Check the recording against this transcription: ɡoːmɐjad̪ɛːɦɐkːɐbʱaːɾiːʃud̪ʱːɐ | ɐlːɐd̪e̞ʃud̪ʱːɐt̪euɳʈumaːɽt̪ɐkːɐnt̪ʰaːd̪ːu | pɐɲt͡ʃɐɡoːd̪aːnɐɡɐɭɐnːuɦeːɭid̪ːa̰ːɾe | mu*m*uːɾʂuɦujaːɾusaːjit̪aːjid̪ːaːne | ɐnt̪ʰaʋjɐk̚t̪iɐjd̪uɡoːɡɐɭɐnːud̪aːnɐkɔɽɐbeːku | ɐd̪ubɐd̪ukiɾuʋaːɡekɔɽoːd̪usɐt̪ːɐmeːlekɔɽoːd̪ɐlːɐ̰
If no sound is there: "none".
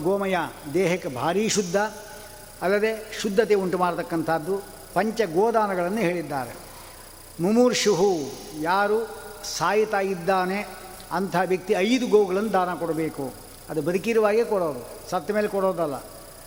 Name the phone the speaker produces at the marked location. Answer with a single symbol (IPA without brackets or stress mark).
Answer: m